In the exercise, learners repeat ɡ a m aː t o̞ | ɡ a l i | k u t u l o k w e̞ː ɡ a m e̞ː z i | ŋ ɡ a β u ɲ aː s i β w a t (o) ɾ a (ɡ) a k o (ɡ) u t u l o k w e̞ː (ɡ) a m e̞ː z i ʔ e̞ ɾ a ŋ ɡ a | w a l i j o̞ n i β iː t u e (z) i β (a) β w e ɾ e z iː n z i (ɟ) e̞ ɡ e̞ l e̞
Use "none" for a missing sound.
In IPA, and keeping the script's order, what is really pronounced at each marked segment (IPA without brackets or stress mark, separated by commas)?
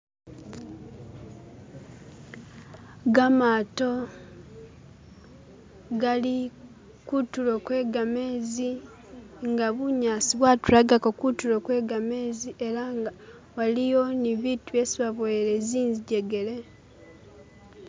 u, ɡ, k, ɡ, s, a, ɟ